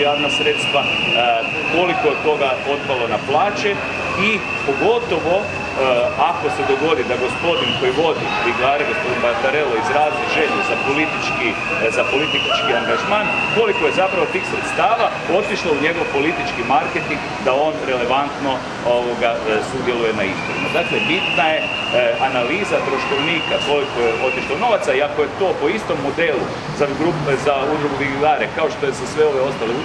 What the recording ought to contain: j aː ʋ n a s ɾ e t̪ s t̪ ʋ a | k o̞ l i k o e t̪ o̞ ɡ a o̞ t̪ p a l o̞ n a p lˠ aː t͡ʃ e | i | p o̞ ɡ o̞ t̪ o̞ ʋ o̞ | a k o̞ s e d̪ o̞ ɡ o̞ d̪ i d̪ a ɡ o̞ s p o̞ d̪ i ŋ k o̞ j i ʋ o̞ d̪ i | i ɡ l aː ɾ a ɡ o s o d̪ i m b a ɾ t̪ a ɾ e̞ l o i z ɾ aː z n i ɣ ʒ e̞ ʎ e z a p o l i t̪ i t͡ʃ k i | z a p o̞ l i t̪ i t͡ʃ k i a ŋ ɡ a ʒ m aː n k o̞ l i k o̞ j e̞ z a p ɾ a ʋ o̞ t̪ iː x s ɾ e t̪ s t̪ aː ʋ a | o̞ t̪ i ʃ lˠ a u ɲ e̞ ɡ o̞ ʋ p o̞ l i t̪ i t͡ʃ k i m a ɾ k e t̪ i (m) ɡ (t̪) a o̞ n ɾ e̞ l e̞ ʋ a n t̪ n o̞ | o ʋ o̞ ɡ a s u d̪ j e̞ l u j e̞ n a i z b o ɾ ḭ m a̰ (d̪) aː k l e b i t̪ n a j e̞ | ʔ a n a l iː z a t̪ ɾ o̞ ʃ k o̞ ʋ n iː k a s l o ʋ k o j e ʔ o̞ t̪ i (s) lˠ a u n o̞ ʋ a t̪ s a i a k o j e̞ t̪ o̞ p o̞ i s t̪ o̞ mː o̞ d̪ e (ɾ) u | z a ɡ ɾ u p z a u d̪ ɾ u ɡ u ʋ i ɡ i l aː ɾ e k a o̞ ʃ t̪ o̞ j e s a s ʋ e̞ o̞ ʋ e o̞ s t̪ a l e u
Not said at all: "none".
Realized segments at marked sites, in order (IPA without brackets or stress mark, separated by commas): ŋ, d̪, d̪, ʃ, l